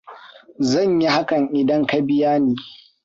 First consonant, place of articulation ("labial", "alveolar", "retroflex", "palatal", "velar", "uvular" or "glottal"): alveolar